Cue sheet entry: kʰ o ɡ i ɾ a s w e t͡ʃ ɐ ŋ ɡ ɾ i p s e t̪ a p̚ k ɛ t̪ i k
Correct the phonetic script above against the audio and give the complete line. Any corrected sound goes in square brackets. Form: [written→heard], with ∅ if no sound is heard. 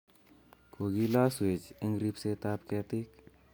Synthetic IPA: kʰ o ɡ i [ɾ→l] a s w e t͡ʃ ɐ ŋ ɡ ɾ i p s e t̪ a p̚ k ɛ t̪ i k

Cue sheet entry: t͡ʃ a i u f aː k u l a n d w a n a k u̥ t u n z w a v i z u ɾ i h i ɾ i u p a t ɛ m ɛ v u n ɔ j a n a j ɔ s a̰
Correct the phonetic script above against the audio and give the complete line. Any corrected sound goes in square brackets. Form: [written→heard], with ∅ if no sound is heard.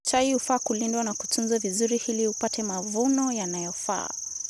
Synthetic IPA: t͡ʃ a i u f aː k u l [a→i] n d w a n a k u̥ t u n z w a v i z u ɾ i h i [ɾ→l] i u p a t ɛ m [ɛ→a] v u n ɔ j a n a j ɔ [s→f] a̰

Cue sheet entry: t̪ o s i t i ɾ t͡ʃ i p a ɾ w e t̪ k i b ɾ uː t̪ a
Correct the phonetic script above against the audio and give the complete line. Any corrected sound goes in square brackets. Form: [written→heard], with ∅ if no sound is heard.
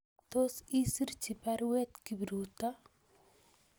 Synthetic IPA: t̪ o s i [t→s] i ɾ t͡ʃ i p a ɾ w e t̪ k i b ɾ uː t̪ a

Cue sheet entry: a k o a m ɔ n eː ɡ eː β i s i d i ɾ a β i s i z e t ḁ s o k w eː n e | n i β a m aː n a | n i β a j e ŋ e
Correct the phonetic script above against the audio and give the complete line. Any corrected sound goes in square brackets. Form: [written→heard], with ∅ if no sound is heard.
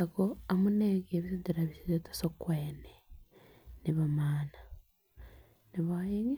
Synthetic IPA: a k o a m [ɔ→u] n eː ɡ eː β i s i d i ɾ a β i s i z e t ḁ s o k w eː n e | n i β a m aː n a | n i β a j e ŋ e

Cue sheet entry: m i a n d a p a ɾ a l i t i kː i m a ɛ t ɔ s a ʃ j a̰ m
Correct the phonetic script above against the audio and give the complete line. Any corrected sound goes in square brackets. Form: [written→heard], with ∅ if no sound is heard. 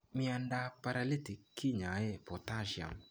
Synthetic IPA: m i a n d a p a ɾ a l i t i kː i [m→ɲ] a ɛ [t→p] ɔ [s→t] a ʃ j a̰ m

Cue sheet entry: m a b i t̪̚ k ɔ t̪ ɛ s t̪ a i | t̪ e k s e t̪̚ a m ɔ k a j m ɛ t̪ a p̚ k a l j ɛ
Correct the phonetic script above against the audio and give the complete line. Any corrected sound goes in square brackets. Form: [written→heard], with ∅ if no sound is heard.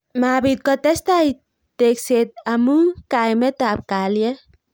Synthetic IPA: m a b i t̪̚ k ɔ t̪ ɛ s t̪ a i | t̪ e k s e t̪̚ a m [ɔ→u] k a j m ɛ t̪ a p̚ k a l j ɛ

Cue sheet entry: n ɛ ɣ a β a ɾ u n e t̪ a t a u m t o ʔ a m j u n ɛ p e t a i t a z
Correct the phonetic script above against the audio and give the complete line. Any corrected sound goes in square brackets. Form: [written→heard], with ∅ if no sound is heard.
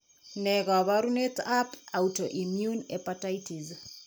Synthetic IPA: n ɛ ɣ a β a ɾ u n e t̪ a [t→p] a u [m→∅] t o ʔ [a→i] m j u n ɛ p [e→a] t a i t [a→i] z

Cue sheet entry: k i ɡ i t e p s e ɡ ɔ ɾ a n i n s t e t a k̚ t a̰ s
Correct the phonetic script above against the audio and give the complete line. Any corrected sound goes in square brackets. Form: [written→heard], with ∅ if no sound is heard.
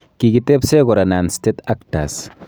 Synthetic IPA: k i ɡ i t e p s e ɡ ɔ ɾ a n [i→a] n s t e t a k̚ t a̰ s

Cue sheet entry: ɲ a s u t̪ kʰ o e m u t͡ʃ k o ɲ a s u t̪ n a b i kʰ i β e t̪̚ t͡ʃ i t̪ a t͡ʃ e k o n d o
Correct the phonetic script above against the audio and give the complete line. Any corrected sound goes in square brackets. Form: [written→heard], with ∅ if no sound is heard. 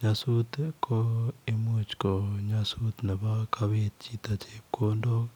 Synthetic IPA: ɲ a s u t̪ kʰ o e m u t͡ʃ k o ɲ a s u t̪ n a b [i→a] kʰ [i→a] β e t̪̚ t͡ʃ i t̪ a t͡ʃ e k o n d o

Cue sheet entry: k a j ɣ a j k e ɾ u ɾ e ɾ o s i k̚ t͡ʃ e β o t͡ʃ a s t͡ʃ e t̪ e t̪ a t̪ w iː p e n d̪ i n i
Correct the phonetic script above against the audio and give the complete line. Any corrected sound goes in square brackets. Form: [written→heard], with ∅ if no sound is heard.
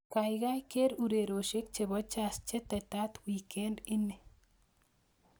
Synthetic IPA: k a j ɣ a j k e ɾ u ɾ e ɾ o [s→ʃ] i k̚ t͡ʃ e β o t͡ʃ a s t͡ʃ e t̪ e t̪ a t̪ w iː [p→k] e n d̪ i n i

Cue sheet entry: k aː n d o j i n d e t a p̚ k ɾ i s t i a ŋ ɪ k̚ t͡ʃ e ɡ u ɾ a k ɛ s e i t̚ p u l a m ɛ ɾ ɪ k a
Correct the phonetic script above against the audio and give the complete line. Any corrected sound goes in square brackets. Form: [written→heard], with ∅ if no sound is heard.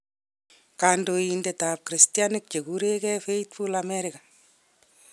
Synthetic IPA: k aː n d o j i n d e t a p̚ k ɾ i s t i a [ŋ→n] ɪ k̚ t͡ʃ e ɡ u ɾ [a→e] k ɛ [s→f] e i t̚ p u l a m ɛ ɾ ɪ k a

